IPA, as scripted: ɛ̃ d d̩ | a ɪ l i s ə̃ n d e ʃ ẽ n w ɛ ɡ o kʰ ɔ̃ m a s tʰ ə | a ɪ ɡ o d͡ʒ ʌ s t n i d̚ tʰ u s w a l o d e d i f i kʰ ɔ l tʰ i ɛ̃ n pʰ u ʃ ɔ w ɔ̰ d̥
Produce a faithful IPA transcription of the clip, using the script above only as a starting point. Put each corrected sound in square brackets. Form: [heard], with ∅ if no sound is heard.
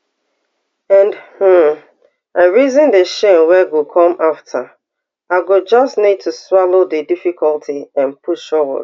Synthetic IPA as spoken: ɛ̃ [n] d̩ | a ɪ [ɹ] i [z] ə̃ n d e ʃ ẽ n w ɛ ɡ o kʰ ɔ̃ m a [f] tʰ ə | a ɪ ɡ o d͡ʒ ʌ s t n i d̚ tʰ u s w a l o d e d i f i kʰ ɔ l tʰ i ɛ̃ n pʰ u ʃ ɔ w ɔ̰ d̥